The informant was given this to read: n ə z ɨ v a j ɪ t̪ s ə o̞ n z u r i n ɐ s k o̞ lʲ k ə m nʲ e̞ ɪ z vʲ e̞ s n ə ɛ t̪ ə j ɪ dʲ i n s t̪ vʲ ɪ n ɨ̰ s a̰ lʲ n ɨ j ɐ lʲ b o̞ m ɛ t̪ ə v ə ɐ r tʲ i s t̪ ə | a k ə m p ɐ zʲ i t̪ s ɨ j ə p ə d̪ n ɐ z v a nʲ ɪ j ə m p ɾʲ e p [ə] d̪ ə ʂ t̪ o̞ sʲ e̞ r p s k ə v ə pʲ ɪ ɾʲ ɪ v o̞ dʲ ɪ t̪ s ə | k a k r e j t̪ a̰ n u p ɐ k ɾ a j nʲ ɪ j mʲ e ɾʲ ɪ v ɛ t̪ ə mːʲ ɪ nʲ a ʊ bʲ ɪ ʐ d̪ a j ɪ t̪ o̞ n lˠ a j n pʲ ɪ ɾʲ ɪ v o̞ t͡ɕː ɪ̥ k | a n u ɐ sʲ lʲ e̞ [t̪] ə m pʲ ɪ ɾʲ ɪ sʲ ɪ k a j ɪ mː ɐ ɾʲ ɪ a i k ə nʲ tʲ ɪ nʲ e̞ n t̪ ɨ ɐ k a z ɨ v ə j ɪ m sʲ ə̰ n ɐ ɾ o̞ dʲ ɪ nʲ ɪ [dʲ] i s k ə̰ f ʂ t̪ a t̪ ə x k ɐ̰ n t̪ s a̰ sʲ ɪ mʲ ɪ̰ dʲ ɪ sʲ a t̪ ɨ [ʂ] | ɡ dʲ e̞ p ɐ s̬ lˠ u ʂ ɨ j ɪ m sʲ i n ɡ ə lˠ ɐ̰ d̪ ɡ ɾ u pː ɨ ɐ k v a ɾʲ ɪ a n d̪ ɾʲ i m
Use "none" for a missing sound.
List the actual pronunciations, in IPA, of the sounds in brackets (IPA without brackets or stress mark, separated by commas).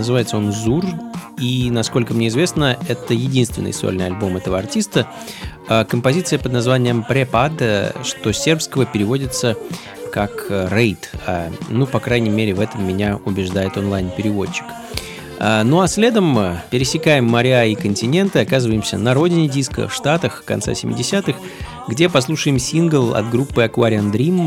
a, d̪, dʲ, x